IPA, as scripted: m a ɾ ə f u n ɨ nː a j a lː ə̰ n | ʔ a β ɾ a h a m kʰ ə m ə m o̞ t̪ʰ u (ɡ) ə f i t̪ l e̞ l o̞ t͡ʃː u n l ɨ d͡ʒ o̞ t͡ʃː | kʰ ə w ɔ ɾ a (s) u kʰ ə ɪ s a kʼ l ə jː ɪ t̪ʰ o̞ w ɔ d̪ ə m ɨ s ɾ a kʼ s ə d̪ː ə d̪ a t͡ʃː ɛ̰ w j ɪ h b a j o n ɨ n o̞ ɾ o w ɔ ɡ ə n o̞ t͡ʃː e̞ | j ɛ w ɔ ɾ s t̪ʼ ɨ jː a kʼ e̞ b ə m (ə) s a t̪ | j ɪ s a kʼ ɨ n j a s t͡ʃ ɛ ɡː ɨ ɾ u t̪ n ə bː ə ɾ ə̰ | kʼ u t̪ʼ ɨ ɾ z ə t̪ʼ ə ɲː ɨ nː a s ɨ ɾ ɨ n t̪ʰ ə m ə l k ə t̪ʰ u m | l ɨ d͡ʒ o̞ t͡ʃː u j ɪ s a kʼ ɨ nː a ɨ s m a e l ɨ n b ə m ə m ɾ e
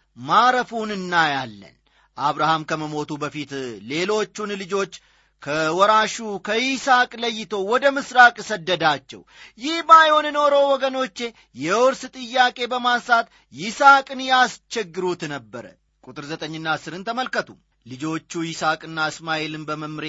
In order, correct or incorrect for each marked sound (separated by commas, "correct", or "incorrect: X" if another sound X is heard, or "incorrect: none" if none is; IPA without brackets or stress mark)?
incorrect: b, incorrect: ʃ, incorrect: a